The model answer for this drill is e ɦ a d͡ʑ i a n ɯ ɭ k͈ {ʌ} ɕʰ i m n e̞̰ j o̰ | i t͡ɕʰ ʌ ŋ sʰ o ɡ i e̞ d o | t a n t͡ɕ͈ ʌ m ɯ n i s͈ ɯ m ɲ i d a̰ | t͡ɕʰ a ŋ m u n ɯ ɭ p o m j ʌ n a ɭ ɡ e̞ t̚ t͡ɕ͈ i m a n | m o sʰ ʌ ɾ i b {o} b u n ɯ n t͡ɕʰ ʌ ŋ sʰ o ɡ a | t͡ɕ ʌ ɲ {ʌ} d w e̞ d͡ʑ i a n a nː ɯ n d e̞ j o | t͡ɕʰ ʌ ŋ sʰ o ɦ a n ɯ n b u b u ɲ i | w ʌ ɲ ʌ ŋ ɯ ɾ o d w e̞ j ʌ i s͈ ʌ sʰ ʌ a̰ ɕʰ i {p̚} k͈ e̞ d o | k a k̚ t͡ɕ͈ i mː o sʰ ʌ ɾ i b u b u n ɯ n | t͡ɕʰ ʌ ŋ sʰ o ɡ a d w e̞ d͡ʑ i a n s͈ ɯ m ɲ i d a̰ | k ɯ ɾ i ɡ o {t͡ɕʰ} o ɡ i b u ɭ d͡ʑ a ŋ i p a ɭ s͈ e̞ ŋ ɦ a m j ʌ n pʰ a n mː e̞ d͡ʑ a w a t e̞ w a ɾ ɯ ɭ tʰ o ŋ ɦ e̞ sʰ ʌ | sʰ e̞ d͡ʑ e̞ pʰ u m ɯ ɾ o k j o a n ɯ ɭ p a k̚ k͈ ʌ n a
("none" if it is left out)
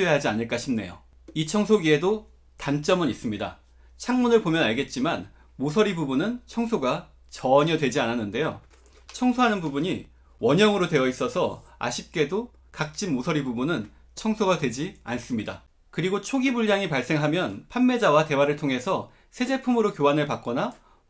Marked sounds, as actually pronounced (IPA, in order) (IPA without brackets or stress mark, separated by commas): a, u, ʌ, p̚, t͡ɕʰ